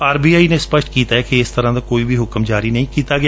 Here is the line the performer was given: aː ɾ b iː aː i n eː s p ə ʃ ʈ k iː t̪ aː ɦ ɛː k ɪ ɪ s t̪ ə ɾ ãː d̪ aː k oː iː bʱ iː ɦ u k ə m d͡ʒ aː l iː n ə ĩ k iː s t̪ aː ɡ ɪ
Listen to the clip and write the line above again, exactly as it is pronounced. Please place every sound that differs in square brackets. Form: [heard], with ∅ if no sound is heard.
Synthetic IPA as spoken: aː ɾ b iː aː i n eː s p ə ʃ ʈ k iː t̪ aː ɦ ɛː k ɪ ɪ s t̪ ə ɾ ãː d̪ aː k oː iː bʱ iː ɦ [ʊ] k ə m d͡ʒ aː [ɾ] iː n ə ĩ k iː [∅] t̪ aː ɡ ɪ